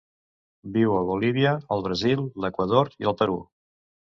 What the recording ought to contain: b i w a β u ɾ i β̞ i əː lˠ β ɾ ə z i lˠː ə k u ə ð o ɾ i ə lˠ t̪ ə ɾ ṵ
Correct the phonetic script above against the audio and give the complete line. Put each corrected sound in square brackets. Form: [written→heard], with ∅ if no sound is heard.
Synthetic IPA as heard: b i w [a→ə] β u [ɾ→l] i β̞ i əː lˠ β ɾ ə z i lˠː ə k [u→w] ə ð o ɾ i ə lˠ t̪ ə ɾ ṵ